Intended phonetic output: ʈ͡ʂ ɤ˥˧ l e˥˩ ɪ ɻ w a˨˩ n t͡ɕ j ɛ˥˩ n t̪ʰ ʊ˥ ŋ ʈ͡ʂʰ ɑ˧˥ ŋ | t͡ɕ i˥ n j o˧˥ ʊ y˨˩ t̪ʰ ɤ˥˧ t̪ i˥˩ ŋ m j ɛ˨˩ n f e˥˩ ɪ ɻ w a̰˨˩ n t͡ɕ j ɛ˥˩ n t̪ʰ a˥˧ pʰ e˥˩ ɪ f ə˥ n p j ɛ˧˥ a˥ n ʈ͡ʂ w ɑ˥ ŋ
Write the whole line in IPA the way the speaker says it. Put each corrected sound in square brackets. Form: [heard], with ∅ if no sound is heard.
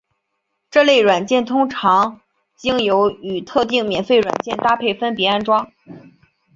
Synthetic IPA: ʈ͡ʂ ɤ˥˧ l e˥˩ ɪ ɻ w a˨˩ n t͡ɕ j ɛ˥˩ n t̪ʰ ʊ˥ ŋ ʈ͡ʂʰ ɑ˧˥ ŋ | t͡ɕ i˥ [ŋ] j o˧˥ ʊ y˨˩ t̪ʰ ɤ˥˧ t̪ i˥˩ ŋ m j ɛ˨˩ n f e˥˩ ɪ ɻ w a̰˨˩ n t͡ɕ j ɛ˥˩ n [t̪] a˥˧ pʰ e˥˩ ɪ f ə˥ n p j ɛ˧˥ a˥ n ʈ͡ʂ w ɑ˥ ŋ